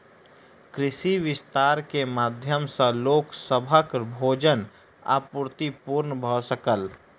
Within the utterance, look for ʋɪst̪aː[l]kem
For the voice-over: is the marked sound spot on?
no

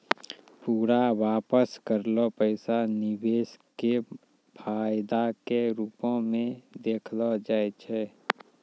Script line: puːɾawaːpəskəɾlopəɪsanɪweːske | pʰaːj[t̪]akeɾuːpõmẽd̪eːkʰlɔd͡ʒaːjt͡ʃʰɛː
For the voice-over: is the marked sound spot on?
no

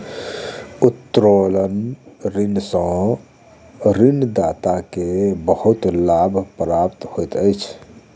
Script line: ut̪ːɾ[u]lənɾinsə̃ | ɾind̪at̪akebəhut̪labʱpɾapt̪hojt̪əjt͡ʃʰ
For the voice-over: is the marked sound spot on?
no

